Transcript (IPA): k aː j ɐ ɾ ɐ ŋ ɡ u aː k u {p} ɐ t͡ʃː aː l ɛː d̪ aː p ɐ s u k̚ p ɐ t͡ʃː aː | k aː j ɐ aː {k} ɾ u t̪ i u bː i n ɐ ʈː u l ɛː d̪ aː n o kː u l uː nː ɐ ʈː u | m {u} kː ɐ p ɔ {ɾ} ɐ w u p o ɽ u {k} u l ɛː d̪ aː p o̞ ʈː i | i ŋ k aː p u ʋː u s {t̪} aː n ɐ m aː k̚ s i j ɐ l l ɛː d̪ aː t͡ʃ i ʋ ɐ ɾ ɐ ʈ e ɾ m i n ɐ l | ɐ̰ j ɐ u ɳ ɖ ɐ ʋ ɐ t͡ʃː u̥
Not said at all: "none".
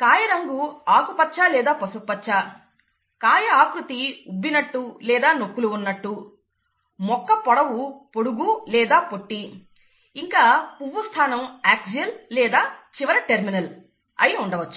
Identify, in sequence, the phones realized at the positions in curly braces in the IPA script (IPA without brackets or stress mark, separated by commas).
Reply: p, k, ɔ, ɽ, ɡ, t̪ʰ